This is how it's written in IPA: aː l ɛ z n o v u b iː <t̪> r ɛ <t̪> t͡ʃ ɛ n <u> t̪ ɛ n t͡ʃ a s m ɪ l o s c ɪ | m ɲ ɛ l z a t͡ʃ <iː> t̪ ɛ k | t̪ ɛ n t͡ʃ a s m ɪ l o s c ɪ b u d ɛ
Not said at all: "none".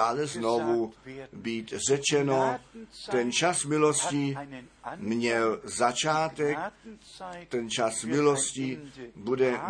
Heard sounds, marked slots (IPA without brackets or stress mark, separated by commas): t̪, none, o, aː